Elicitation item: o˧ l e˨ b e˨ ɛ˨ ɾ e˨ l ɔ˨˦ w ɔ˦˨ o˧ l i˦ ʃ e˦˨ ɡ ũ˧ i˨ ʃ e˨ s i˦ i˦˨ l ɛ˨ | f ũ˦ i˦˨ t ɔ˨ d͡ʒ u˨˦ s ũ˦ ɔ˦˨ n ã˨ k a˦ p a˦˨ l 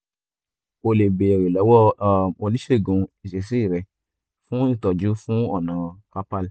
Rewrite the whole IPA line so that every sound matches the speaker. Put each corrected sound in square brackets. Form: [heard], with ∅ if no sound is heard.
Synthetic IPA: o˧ l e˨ b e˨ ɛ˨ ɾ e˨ l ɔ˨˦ w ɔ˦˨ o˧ l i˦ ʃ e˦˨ ɡ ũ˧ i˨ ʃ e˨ s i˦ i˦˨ [ɾ] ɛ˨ | f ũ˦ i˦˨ t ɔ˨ d͡ʒ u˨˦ [f] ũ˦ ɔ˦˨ n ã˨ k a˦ p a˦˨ l